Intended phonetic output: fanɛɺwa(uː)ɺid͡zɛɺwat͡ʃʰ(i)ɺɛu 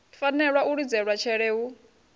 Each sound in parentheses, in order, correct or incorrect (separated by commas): incorrect, incorrect